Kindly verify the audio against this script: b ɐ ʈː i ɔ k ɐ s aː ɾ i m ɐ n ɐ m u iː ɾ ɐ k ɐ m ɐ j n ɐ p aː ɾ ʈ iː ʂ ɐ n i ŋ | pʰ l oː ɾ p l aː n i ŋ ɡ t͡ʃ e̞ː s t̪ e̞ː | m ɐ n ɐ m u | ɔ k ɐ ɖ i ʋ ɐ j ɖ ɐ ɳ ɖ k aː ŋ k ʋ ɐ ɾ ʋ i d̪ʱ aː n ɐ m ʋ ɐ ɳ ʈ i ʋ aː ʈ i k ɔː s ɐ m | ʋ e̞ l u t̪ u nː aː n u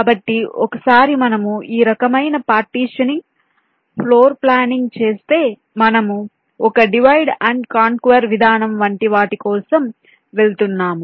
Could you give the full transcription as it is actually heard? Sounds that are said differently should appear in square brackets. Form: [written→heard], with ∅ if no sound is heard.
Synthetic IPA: b ɐ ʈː i ɔ k ɐ s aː ɾ i m ɐ n ɐ m u iː ɾ ɐ k ɐ m ɐ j n ɐ p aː ɾ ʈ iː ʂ ɐ n i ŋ | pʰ l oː ɾ p l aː n i ŋ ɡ t͡ʃ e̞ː s t̪ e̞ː | m ɐ n ɐ m u | ɔ k ɐ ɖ i ʋ ɐ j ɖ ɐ ɳ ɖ k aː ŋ k ʋ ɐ ɾ ʋ i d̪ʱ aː n ɐ m ʋ ɐ ɳ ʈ i ʋ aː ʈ i k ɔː s ɐ m | ʋ e̞ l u t̪ u nː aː [n→m] u

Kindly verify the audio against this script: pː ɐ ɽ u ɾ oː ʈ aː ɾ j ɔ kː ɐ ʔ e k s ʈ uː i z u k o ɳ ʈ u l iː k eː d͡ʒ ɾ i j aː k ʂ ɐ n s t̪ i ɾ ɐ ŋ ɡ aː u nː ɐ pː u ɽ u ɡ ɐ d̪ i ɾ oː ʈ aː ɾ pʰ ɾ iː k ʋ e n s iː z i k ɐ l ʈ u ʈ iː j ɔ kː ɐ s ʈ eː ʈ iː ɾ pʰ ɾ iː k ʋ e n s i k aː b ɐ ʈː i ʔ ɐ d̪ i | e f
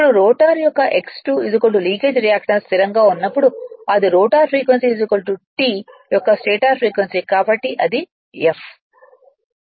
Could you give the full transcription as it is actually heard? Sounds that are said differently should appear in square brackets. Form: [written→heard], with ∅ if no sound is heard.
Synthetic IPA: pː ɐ ɽ u ɾ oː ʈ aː ɾ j ɔ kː ɐ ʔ e k s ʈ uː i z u k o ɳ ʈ u l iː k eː d͡ʒ ɾ i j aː k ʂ ɐ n s t̪ i ɾ ɐ ŋ ɡ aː u nː ɐ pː u ɽ u [ɡ→∅] ɐ d̪ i ɾ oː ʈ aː ɾ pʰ ɾ iː k ʋ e n s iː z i k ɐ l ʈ u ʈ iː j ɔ kː ɐ s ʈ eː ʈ [iː→aː] ɾ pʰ ɾ iː k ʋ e n s i k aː b ɐ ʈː i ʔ ɐ d̪ i | e f

